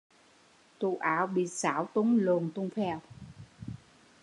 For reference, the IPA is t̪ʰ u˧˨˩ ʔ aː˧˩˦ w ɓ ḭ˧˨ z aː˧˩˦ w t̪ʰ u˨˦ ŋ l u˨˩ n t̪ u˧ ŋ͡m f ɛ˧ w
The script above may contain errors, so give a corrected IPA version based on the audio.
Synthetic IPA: t̪ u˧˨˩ ʔ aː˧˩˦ w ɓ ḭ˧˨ s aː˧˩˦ w t̪ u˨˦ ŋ l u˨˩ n t̪ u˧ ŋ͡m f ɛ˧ w